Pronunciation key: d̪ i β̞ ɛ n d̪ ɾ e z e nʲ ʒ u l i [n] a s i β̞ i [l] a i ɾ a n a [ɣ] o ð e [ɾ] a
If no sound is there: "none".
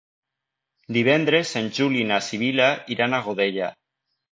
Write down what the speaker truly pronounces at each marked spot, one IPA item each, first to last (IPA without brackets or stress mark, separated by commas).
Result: n, l, ɣ, ʎ